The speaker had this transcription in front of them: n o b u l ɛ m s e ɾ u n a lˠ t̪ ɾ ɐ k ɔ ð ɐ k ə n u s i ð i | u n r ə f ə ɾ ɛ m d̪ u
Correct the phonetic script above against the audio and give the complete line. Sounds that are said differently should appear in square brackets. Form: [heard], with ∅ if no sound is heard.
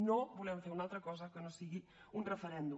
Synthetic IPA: n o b u l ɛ m [f] e ɾ u n a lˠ t̪ ɾ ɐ k ɔ [z] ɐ k ə n [o] s i [ɣ] i | u n r ə f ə ɾ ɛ [n] d̪ u